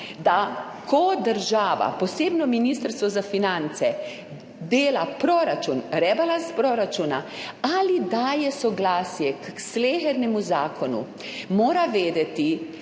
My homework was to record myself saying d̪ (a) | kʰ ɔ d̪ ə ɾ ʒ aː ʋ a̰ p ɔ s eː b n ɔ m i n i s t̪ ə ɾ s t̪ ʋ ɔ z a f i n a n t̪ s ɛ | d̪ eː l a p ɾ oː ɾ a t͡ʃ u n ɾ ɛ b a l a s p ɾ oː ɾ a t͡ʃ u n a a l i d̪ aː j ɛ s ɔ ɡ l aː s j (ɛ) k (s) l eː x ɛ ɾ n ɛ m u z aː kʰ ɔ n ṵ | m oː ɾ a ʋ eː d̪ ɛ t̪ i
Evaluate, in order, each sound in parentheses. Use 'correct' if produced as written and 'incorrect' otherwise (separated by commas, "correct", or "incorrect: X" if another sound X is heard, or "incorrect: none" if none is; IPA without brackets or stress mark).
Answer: correct, correct, correct